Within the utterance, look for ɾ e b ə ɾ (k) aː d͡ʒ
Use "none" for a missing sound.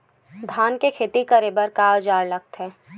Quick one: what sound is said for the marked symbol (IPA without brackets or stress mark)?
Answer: k